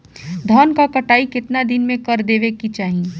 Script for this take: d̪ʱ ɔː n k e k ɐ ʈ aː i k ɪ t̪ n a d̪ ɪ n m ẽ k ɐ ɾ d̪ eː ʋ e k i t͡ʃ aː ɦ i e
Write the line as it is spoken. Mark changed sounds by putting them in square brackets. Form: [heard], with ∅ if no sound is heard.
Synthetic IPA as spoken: d̪ʱ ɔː n k [a] k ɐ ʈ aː i k ɪ t̪ n a d̪ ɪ n m ẽ k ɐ ɾ d̪ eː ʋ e k i t͡ʃ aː ɦ i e